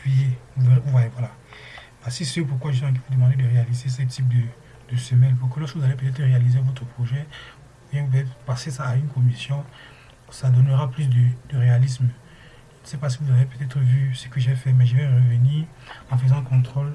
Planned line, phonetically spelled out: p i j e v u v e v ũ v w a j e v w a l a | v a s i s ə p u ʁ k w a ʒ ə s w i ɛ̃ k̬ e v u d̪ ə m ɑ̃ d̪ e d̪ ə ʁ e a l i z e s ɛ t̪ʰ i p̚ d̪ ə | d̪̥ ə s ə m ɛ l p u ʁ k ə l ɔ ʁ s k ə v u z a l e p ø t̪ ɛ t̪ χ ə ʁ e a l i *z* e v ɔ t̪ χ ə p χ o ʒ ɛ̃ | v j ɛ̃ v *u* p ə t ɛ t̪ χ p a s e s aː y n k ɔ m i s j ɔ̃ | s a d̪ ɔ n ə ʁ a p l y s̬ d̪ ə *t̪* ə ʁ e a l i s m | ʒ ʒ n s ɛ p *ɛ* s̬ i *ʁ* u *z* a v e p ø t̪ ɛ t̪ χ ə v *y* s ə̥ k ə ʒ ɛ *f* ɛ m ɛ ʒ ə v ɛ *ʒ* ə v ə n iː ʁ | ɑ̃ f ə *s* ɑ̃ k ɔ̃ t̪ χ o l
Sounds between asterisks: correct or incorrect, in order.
correct, correct, incorrect: d̪, incorrect: a, incorrect: v, correct, correct, correct, incorrect: ʁ, incorrect: z

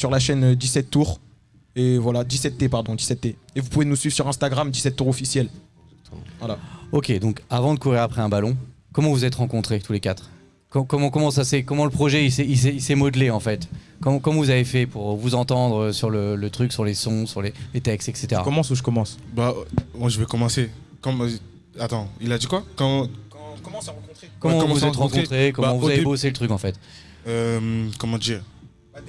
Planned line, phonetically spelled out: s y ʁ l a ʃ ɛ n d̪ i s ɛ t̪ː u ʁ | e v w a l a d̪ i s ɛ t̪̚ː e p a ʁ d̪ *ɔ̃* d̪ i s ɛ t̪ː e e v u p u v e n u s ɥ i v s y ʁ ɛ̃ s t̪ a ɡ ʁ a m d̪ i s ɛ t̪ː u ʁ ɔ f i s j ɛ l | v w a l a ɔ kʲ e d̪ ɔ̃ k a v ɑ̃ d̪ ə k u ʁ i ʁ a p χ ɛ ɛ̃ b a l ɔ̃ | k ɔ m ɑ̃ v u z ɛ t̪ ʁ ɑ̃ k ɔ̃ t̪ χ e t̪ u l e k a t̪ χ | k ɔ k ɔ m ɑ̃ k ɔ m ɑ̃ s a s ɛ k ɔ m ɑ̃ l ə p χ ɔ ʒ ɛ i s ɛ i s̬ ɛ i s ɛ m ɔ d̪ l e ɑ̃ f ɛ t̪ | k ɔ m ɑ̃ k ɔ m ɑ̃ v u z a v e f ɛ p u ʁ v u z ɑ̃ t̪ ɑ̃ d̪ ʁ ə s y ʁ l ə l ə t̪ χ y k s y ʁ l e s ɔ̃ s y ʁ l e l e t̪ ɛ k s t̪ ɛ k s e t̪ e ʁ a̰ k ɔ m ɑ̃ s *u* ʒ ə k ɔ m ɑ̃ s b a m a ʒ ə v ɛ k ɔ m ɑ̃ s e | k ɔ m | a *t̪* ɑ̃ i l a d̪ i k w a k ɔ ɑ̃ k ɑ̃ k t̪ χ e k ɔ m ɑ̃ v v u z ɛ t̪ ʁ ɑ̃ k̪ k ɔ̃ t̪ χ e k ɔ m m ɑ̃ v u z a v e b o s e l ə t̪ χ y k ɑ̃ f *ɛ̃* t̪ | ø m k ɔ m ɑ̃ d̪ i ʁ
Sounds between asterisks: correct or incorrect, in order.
correct, correct, correct, incorrect: ɛ

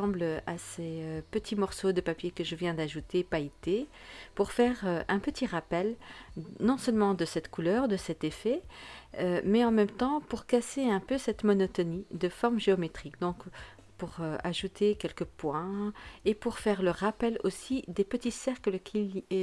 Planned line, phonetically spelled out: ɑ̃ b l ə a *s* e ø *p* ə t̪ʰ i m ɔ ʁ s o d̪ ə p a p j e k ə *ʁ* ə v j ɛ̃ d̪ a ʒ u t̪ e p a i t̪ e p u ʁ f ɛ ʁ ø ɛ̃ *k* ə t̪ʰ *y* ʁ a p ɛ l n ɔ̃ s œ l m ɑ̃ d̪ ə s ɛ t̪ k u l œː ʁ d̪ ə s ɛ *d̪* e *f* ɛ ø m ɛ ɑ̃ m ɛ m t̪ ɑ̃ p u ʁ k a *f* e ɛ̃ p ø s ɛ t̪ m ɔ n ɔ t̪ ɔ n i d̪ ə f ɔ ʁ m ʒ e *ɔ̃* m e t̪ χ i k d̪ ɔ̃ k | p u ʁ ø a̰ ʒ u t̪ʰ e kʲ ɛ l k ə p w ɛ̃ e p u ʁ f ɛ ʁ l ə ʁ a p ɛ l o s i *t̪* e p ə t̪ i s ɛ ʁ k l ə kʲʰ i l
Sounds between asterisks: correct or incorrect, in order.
correct, correct, incorrect: ʒ, incorrect: p, incorrect: i, incorrect: t̪, correct, incorrect: s, incorrect: ɔ, incorrect: d̪

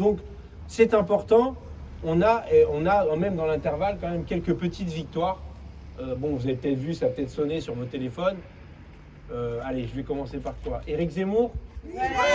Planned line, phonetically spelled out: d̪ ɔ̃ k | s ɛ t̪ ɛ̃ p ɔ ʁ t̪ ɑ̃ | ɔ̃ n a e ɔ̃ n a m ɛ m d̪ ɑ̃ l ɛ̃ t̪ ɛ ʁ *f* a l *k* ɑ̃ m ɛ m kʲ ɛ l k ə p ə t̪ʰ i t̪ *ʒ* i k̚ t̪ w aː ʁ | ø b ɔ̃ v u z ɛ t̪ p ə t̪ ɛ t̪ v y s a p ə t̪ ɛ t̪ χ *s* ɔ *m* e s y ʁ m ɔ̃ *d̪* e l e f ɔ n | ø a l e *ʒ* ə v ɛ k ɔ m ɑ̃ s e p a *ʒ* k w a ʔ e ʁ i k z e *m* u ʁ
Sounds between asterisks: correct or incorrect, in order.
incorrect: v, correct, incorrect: v, correct, incorrect: n, incorrect: t̪, correct, incorrect: ʁ, correct

